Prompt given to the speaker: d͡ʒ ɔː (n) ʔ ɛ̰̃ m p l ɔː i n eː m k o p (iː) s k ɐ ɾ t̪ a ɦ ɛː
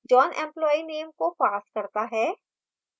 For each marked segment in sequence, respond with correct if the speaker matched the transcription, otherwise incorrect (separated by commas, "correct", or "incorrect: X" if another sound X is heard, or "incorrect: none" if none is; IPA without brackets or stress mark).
correct, incorrect: aː